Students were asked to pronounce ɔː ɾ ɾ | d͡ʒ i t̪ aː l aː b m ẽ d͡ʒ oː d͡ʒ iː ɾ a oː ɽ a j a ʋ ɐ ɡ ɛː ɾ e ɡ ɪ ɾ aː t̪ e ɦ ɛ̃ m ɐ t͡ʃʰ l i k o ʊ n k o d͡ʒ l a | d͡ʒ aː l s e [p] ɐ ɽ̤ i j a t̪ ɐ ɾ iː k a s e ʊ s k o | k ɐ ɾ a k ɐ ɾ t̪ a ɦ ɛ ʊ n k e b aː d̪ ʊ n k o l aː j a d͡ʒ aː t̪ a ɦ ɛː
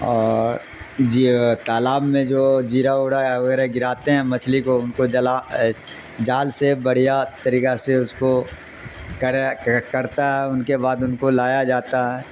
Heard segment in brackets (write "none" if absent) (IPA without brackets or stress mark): b